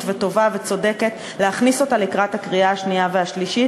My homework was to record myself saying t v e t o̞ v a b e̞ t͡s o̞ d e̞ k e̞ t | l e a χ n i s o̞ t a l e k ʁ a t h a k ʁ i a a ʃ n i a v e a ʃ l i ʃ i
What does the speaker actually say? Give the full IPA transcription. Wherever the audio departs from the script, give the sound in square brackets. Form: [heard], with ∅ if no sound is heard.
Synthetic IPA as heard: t v e t o̞ v a [v] e̞ t͡s o̞ d e̞ k e̞ t | l e a χ n i s o̞ t a l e k ʁ a t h a k ʁ i a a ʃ n i a v e a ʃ l i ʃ i